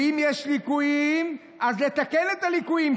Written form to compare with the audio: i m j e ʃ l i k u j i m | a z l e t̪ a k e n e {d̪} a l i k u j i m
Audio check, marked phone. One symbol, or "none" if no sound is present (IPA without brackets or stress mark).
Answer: t̪